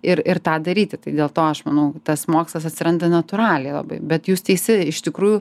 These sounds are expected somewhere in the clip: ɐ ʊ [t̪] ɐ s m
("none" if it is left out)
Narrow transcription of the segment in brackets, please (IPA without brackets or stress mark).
t̪